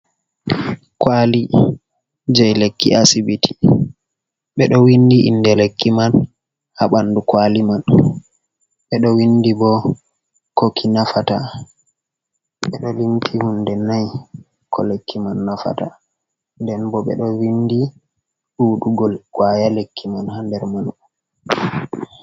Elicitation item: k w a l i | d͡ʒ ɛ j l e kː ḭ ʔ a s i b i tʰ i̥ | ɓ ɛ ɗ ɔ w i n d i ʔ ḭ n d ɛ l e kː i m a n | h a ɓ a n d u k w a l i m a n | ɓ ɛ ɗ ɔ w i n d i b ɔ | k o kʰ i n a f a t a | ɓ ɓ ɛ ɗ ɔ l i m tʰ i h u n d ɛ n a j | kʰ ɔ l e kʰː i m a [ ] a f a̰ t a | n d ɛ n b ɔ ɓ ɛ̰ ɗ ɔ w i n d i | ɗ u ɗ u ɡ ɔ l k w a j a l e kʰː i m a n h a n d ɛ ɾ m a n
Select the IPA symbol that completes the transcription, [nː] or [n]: nː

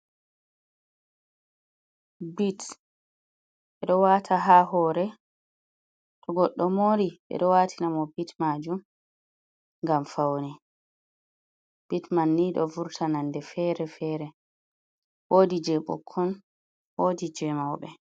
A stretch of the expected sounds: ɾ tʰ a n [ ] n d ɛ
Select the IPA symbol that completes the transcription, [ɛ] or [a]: a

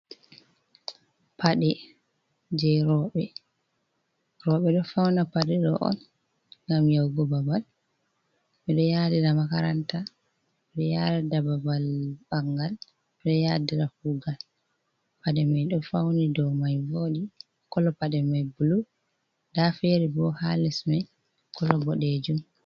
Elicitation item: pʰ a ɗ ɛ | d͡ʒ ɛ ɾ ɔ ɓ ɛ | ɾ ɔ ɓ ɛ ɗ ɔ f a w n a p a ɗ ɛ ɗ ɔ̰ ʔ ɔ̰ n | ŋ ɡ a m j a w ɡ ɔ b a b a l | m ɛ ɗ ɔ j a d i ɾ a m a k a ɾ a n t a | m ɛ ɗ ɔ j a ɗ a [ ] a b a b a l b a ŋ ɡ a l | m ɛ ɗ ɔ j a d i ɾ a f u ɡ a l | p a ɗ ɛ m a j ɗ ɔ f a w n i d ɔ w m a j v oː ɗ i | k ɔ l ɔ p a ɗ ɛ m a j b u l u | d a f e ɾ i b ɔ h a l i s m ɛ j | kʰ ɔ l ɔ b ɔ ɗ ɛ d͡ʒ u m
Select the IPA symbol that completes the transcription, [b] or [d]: d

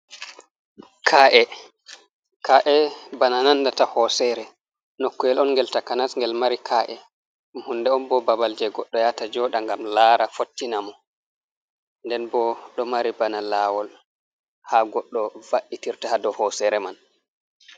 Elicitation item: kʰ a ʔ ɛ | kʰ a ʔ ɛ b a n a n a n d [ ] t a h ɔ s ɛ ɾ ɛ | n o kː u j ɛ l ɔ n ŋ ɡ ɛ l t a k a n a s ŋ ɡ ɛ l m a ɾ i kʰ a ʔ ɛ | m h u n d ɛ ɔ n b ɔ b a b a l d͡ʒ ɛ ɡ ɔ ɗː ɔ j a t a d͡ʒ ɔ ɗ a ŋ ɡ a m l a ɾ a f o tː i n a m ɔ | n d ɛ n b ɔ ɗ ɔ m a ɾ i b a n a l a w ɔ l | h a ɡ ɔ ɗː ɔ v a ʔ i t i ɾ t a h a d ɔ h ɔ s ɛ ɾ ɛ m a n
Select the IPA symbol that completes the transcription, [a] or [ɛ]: a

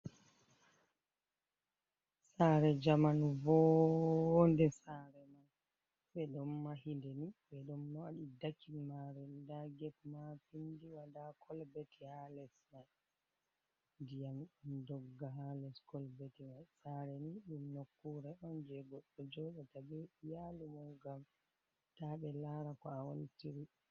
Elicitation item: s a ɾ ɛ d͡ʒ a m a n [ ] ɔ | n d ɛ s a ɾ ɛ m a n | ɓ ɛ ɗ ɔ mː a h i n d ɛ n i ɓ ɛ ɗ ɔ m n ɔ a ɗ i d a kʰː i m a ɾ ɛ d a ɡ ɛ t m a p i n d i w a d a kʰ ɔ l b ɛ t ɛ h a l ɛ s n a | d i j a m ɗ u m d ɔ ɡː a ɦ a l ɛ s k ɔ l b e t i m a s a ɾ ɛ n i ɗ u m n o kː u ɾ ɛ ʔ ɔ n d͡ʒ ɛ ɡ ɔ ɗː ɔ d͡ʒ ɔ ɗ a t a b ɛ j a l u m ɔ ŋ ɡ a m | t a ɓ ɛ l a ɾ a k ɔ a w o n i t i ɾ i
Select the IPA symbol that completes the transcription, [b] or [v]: v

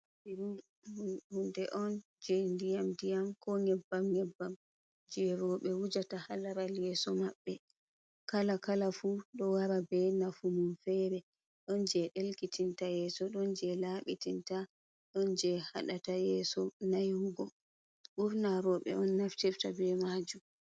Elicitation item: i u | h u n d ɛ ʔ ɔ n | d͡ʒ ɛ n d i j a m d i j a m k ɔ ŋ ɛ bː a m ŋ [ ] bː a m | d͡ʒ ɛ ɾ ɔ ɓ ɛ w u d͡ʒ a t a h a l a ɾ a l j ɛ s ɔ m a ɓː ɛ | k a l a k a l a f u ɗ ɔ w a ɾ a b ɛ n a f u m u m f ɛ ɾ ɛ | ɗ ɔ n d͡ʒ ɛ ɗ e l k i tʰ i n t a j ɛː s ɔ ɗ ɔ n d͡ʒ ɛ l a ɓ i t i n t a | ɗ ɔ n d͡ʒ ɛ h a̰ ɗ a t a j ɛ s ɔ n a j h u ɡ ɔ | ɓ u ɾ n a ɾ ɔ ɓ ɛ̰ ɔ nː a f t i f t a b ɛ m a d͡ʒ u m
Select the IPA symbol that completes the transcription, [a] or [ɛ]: ɛ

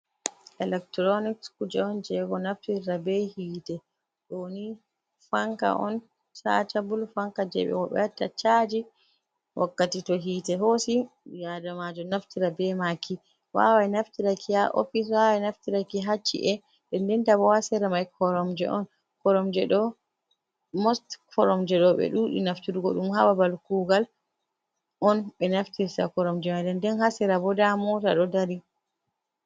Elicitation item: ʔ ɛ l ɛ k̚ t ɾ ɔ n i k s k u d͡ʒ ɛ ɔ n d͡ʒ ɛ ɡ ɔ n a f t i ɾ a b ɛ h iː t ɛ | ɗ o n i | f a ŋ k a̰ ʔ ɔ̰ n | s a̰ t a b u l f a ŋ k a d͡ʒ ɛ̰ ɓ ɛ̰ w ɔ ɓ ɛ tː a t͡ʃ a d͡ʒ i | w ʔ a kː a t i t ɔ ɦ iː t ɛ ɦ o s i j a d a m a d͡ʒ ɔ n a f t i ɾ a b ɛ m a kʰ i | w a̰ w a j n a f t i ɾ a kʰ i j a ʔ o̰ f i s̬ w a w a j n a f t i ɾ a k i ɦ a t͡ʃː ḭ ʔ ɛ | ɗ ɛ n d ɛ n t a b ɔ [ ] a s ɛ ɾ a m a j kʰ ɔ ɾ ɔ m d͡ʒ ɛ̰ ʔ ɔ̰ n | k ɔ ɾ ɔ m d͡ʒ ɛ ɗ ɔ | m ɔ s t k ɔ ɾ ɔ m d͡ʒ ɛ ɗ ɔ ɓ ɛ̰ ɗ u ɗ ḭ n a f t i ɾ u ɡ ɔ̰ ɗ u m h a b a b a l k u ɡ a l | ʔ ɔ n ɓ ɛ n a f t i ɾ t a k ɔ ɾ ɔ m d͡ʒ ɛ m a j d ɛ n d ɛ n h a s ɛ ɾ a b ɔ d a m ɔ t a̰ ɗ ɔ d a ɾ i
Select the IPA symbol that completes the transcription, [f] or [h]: h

